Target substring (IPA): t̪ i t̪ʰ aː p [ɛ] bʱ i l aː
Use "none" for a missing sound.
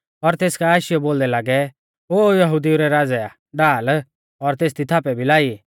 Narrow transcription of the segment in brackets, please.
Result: ɛ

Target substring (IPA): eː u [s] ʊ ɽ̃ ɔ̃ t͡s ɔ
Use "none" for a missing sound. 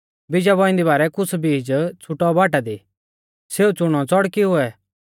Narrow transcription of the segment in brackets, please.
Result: t͡s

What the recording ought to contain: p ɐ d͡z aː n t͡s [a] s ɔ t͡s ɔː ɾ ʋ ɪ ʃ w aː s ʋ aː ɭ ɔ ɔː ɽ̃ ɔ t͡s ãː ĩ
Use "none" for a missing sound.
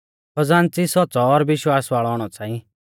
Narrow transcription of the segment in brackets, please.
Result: i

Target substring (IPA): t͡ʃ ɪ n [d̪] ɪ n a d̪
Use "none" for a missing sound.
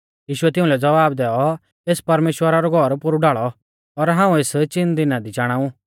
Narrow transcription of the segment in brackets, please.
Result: d̪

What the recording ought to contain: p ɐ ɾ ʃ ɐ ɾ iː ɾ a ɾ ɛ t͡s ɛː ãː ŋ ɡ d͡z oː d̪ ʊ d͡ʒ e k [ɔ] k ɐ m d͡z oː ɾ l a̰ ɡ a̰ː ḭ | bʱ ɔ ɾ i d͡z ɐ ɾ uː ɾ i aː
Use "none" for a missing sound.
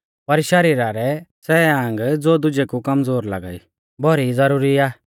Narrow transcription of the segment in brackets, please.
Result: u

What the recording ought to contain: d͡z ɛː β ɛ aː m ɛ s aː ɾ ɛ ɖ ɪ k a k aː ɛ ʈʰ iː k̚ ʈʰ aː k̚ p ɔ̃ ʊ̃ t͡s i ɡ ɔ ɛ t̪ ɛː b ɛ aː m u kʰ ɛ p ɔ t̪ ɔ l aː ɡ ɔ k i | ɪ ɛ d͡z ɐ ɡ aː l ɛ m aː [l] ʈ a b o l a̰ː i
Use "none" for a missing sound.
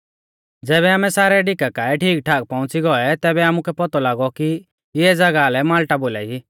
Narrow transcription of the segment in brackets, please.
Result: l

